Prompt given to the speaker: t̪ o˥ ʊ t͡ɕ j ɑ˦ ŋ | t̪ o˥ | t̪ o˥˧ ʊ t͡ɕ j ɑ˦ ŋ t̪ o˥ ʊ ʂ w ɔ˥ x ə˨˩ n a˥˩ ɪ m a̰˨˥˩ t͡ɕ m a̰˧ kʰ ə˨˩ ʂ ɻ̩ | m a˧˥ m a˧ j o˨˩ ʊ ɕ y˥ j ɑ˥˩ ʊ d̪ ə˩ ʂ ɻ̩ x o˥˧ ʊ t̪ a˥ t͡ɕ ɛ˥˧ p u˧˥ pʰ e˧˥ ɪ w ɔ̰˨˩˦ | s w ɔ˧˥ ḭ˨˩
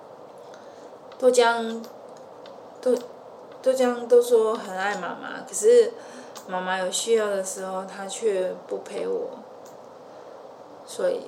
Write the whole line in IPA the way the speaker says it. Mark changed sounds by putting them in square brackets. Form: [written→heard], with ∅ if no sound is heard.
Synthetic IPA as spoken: t̪ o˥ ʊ t͡ɕ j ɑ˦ ŋ | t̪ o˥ | t̪ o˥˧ ʊ t͡ɕ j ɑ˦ ŋ t̪ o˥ ʊ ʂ w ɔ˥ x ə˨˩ n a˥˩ ɪ m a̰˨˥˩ [t͡ɕ→∅] m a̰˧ kʰ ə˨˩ ʂ ɻ̩ | m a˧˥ m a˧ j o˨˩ ʊ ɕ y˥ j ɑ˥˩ ʊ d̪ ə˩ ʂ ɻ̩ x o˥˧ ʊ [t̪→t̪ʰ] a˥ [t͡ɕ→t͡ɕʰ] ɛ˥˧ p [u˧˥→u˥˩] pʰ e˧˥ ɪ w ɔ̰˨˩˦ | s w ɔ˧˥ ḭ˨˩